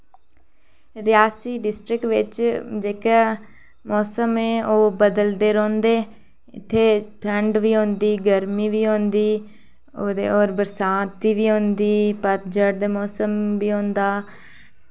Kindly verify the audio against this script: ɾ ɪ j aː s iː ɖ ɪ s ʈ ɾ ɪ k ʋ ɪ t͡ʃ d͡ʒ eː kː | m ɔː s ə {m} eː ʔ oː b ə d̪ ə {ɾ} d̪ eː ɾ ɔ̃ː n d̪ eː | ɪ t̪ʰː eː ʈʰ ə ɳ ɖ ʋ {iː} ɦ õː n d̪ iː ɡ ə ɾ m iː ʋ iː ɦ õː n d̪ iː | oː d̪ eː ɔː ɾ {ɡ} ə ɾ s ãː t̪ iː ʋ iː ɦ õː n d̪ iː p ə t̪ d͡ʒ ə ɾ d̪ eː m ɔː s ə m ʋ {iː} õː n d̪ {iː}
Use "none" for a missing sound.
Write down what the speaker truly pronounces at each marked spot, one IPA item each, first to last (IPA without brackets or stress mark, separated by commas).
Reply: m, l, iː, b, iː, aː